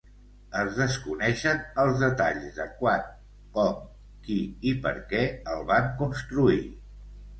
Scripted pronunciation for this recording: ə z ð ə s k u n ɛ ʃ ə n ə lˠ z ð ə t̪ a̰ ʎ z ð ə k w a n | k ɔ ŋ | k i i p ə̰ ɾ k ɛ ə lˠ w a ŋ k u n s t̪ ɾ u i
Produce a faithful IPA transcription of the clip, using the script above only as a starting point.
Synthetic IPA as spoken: ə z ð ə s k u n ɛ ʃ ə n ə lˠ z ð ə t̪ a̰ ʎ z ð ə k w a n | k ɔ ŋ | k i i p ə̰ ɾ k ɛ ə lˠ β a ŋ k u n s t̪ ɾ u i